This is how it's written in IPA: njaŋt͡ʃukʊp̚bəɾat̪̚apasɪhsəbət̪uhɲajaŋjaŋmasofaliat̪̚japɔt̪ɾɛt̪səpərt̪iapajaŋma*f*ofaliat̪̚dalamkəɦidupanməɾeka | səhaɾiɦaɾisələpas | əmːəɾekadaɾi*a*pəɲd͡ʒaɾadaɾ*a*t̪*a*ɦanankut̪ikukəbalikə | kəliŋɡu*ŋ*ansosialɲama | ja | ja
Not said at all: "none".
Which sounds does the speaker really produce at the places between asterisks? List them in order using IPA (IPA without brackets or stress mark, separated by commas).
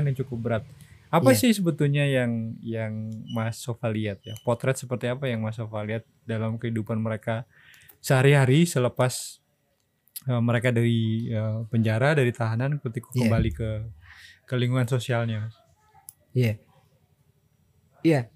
s, ə, i, a, ŋ